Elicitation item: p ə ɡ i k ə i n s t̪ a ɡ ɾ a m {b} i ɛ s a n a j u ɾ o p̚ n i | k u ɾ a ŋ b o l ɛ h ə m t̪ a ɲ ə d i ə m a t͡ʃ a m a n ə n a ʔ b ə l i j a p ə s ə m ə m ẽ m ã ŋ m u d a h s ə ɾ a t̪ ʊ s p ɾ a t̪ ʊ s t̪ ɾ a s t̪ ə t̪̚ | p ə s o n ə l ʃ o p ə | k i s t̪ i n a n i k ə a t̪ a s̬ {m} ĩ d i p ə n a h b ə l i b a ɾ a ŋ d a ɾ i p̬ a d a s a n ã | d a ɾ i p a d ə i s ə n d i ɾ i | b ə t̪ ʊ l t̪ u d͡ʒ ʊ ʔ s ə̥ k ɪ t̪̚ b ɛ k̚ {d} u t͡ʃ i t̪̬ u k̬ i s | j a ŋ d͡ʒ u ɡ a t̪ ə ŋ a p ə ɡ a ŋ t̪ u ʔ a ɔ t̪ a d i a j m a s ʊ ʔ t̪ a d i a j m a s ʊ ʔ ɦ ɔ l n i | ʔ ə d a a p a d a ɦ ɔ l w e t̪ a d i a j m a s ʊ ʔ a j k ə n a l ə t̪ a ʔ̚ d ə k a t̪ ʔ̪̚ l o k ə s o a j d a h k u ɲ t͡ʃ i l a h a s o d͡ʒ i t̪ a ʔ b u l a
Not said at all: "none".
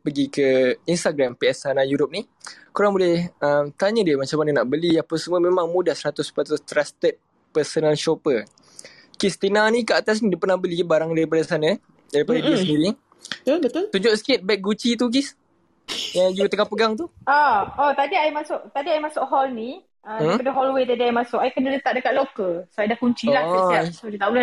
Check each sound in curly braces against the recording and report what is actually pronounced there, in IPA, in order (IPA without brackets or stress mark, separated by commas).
p, n, ɡ